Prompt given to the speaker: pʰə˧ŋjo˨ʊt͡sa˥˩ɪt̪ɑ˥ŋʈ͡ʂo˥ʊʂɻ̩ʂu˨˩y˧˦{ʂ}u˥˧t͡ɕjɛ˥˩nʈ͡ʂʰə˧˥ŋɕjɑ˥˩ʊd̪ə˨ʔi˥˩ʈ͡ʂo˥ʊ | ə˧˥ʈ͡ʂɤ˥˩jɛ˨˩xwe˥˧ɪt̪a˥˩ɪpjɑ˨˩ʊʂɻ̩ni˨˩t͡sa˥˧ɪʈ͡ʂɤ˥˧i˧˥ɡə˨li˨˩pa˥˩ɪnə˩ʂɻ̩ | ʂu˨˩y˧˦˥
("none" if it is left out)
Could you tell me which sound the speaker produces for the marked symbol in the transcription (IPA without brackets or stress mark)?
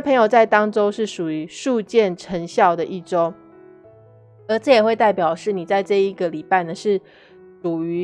ʂ